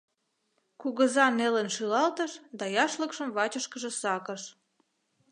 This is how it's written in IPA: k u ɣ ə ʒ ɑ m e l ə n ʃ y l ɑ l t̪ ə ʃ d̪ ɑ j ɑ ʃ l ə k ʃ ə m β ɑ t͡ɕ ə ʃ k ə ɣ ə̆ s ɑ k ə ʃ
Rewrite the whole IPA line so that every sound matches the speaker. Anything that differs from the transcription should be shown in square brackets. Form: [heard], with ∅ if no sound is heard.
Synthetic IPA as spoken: k u ɣ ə [z] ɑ [n] e l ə n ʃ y l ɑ l t̪ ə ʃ d̪ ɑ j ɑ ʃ l ə k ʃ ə m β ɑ t͡ɕ ə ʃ k ə [ʒ] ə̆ s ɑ k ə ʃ